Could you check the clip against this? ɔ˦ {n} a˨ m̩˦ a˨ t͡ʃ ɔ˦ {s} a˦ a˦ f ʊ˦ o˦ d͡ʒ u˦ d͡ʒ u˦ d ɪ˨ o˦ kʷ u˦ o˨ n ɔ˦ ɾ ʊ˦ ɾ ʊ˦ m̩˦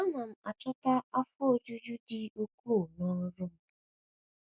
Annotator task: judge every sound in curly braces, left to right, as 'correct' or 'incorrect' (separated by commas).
correct, incorrect